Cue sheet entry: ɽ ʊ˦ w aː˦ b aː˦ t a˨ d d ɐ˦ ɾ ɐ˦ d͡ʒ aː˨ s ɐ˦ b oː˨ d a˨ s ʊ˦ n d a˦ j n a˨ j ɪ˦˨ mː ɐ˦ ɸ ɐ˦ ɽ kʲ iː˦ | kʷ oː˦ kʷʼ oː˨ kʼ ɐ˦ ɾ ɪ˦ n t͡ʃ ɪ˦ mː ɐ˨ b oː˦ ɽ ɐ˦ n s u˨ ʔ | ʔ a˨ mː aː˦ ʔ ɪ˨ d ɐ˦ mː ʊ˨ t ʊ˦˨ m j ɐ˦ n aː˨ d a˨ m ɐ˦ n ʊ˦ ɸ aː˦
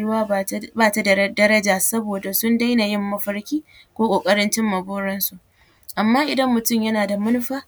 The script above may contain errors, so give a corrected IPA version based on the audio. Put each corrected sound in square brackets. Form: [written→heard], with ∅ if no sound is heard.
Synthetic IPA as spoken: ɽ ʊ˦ w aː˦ b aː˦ t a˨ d d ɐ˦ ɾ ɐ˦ d͡ʒ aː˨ s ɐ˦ b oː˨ d a˨ s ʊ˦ n d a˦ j n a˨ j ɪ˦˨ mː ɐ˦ ɸ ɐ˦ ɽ kʲ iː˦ | kʷ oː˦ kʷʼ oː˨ kʼ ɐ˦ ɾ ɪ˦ n t͡ʃ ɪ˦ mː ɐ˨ b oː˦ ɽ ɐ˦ n s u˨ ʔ | ʔ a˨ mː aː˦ ʔ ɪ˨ d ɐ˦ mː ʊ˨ t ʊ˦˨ m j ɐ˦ n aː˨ d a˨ m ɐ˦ n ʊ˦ ɸ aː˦